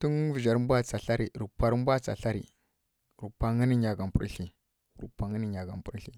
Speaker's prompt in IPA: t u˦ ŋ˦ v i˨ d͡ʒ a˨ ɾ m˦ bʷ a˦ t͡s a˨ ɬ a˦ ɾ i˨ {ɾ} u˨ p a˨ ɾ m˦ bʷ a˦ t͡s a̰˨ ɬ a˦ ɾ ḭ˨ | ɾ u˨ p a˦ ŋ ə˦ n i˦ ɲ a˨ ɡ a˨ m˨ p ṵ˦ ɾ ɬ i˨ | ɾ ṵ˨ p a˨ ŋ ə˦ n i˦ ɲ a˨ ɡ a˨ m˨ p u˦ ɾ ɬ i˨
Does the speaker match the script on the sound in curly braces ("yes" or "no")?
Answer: yes